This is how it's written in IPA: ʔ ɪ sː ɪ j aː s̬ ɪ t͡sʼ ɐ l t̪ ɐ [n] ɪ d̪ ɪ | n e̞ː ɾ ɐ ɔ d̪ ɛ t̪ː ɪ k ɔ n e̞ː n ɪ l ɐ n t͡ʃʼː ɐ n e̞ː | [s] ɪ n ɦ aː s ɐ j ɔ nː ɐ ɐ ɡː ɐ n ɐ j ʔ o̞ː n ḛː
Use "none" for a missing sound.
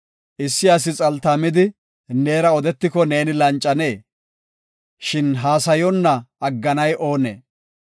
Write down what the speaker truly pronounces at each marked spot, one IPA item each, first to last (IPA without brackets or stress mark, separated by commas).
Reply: m, ʃ